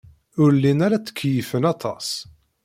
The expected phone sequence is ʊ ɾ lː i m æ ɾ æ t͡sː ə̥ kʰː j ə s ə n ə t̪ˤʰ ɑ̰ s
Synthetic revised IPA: ʊ ɾ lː i n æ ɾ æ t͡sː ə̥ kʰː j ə f ə n ɑ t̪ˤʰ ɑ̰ s